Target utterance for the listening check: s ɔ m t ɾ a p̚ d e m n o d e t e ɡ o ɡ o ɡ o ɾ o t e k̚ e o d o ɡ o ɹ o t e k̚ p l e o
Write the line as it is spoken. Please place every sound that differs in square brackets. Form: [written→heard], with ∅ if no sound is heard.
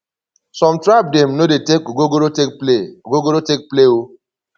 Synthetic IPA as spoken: s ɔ m t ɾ a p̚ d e m n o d e t e [ɡ→k] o ɡ o ɡ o ɾ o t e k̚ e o [d→ɡ] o ɡ o [ɹ→ɾ] o t e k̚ p l e o